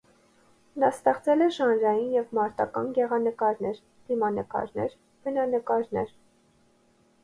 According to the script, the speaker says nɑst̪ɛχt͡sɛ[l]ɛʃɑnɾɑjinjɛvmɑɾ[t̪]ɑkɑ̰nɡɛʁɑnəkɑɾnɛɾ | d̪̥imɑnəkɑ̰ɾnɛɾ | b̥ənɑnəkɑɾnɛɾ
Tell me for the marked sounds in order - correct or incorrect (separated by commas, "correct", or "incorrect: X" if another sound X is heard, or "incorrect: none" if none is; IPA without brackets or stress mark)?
correct, correct